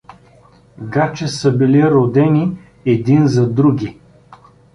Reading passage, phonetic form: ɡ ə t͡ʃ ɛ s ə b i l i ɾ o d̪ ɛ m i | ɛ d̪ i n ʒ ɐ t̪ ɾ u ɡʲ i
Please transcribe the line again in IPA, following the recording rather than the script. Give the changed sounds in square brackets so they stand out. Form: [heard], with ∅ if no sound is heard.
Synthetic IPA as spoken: ɡ [a] t͡ʃ ɛ s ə b i l i ɾ o d̪ ɛ [n] i | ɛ d̪ i n [z] ɐ [d̪] ɾ u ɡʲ i